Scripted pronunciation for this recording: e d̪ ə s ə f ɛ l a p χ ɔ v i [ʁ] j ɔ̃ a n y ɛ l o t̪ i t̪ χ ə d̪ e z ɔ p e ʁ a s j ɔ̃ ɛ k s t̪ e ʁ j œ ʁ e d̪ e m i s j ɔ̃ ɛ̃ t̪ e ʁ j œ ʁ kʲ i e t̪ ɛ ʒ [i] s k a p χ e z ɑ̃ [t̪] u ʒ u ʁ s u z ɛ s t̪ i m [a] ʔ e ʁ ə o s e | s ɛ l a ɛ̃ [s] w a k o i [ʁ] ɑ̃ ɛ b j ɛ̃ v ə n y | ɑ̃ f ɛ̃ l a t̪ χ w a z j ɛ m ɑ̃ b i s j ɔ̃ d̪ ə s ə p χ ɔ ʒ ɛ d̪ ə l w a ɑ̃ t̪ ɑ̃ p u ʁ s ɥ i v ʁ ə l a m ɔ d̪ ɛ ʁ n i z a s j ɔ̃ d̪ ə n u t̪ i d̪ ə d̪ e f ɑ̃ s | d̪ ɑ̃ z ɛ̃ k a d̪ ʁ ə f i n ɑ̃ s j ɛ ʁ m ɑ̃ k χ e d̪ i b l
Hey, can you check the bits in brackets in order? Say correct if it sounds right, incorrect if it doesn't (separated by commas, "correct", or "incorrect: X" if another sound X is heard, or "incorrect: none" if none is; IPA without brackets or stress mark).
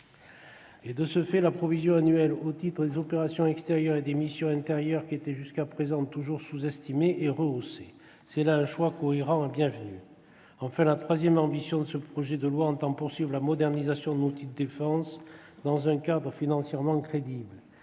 incorrect: z, incorrect: y, correct, incorrect: e, incorrect: ʃ, correct